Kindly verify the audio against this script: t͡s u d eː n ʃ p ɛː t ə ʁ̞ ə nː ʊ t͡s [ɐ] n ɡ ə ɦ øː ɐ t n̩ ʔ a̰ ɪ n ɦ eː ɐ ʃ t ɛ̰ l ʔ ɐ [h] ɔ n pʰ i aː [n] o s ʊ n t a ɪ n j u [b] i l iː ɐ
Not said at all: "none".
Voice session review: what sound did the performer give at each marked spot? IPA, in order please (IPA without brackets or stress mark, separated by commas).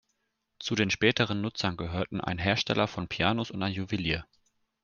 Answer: ɐ, f, n, v